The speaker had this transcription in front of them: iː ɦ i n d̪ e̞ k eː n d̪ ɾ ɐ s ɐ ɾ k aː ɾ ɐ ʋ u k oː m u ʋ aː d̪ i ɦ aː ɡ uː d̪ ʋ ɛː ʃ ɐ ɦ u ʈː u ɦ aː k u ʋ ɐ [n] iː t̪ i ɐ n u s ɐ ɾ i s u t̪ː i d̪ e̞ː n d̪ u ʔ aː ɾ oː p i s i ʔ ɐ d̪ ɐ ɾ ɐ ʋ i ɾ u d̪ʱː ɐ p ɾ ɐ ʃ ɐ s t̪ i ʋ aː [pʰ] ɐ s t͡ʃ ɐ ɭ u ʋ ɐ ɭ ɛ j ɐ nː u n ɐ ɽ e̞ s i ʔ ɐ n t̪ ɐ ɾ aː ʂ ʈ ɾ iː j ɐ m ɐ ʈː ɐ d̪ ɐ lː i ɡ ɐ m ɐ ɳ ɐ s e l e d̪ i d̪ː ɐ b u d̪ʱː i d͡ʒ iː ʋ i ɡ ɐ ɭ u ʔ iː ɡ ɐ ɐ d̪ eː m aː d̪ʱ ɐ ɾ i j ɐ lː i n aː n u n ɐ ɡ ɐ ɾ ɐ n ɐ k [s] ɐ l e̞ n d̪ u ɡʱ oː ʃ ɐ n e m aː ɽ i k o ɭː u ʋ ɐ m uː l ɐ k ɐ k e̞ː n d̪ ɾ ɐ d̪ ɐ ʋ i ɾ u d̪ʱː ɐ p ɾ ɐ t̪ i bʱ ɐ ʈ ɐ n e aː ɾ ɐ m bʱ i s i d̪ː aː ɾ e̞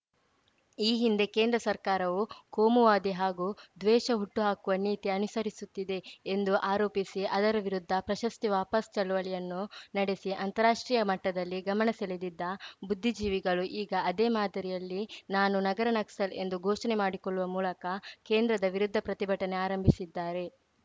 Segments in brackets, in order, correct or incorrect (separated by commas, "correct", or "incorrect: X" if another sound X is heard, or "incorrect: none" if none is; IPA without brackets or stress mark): correct, incorrect: p, correct